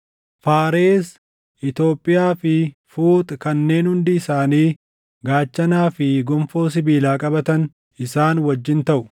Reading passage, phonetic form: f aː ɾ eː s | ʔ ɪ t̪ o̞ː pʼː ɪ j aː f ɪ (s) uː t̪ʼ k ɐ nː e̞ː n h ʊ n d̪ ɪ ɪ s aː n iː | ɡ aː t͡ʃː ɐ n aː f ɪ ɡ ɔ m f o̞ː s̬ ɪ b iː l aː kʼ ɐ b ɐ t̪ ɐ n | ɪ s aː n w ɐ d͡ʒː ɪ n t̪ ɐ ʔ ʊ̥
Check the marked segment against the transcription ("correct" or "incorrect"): incorrect